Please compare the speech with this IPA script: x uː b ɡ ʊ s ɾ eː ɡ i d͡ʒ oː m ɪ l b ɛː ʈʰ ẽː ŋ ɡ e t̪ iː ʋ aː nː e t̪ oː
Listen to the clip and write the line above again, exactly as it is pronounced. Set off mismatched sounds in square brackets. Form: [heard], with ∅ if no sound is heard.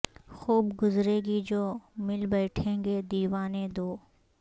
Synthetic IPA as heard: x uː b ɡ ʊ [z] ɾ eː ɡ i d͡ʒ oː m ɪ l b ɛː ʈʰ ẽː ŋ ɡ e [d̪] iː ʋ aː [n] e [d̪] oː